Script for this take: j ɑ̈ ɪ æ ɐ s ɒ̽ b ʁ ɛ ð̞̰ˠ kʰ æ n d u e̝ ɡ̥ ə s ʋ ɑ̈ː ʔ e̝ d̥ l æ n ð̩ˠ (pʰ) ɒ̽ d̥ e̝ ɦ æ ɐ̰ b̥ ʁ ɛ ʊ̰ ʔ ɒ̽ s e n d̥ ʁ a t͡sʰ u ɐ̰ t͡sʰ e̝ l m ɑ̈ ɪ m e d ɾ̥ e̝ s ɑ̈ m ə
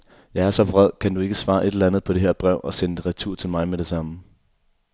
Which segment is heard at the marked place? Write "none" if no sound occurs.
pʰ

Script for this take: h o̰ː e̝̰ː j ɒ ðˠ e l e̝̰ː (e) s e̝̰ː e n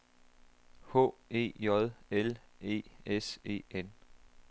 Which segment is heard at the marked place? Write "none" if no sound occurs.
e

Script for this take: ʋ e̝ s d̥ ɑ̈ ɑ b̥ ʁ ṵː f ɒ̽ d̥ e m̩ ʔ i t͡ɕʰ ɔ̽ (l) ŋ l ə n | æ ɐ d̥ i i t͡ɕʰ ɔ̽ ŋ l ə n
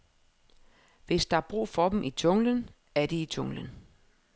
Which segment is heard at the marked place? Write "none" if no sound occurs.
none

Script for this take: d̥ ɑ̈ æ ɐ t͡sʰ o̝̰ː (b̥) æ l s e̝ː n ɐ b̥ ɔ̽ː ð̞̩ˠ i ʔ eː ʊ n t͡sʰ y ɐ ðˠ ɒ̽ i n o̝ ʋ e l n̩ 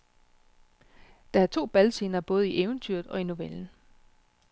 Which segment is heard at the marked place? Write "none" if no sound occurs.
b̥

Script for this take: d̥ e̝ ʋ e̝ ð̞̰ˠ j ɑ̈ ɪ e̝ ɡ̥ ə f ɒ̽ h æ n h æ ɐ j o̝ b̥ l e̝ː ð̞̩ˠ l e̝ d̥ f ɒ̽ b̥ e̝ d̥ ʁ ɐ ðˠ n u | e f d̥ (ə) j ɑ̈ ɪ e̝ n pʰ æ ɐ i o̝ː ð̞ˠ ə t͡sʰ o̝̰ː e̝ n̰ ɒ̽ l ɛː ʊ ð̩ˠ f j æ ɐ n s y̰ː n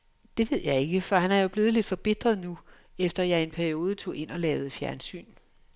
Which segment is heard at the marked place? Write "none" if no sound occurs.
ɐ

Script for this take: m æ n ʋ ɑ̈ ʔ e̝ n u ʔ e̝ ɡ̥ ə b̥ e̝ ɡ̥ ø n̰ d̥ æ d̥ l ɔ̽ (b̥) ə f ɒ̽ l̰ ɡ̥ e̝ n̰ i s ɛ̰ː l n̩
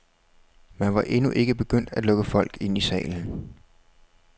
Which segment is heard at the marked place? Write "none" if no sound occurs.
ɡ̥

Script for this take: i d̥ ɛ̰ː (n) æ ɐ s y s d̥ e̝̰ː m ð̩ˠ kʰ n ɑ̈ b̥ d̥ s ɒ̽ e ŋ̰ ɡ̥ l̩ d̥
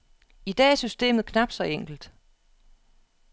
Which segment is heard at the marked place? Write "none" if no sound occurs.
none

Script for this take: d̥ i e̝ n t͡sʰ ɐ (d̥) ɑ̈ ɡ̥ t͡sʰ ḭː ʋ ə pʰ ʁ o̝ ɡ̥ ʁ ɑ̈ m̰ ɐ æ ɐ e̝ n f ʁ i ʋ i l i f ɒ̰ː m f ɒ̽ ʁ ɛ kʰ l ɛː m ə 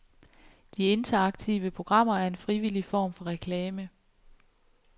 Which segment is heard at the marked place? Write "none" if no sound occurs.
none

